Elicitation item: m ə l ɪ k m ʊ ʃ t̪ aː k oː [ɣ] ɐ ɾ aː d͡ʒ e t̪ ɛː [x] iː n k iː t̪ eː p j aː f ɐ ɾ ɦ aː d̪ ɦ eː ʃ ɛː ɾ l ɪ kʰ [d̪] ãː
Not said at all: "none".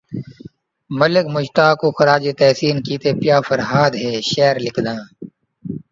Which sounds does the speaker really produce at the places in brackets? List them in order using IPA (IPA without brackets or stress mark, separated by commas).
x, s, d̪